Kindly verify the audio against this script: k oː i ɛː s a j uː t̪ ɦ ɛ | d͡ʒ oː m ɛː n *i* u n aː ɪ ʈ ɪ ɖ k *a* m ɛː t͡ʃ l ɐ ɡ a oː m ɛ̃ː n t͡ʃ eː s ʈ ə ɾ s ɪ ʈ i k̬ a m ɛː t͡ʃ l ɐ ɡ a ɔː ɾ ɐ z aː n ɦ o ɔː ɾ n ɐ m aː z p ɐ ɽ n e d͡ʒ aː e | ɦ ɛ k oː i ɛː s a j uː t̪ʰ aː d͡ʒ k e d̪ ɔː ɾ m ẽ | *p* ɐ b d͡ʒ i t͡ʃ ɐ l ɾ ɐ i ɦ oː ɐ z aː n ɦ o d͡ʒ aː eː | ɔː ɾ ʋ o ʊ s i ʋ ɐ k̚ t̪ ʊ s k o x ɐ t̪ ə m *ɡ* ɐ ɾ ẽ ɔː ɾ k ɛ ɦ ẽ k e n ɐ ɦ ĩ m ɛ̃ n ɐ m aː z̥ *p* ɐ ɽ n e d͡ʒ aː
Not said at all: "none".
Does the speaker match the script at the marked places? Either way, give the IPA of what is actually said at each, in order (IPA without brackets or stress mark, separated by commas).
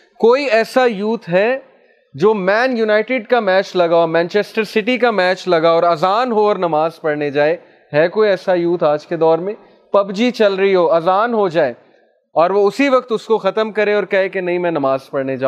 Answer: j, a, p, k, p